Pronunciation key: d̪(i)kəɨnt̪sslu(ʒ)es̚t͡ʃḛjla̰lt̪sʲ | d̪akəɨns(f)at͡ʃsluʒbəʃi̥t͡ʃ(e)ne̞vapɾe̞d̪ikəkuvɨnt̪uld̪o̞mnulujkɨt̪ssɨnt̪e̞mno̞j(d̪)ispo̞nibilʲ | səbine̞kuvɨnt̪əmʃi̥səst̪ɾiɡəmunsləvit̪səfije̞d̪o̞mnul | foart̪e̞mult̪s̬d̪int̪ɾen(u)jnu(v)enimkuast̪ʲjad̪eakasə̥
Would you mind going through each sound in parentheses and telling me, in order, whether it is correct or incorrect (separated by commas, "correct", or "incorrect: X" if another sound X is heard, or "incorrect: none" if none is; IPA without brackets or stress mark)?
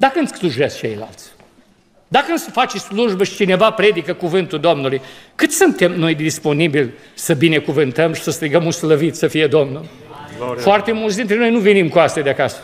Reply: incorrect: a, correct, correct, incorrect: i, correct, incorrect: o, correct